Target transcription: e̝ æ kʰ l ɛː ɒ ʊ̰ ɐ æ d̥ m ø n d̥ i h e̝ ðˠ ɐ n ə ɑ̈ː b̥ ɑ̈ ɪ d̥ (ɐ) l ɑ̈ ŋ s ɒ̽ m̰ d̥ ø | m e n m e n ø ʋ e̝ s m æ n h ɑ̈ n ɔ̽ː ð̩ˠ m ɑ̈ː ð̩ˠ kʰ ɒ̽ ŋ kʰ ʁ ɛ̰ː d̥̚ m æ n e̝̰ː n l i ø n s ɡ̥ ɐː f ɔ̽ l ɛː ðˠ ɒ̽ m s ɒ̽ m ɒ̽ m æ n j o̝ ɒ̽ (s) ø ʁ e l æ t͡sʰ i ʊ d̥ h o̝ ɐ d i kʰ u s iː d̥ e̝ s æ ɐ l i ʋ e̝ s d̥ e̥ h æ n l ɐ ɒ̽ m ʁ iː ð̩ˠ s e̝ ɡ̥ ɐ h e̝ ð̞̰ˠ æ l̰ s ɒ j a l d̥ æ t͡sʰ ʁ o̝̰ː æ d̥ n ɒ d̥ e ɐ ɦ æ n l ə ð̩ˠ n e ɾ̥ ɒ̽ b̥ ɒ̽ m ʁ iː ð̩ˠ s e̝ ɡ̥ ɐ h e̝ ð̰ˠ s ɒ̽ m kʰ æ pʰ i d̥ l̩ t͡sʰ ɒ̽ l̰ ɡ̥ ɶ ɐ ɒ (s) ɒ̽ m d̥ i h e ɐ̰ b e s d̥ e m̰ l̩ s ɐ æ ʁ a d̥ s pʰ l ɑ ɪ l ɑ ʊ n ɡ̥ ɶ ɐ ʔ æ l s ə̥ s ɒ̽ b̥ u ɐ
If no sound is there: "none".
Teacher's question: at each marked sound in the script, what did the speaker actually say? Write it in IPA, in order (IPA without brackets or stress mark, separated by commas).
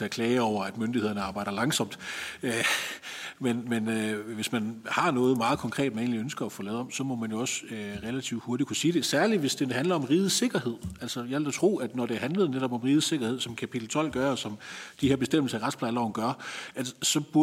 ɐ, s, s